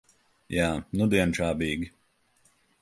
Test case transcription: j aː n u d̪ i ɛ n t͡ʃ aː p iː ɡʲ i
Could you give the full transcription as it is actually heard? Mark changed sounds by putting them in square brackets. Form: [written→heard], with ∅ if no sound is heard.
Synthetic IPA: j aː n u d̪ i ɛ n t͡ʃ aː [p→b] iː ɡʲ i

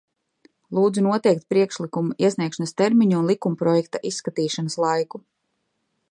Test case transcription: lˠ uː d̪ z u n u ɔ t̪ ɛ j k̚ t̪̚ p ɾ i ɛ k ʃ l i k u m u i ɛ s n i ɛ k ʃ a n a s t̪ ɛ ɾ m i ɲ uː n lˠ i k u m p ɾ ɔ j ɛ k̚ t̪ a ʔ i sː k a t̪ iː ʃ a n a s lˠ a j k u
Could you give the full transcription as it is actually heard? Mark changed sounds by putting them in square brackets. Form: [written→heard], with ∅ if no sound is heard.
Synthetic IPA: lˠ uː d̪ z u n u ɔ t̪ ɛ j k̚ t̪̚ p ɾ i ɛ k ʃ l i k u m u i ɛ s n i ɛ k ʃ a n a s t̪ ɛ ɾ m i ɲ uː n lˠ i k u m p ɾ ɔ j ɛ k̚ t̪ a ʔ i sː k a t̪ iː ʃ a n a s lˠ a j k u

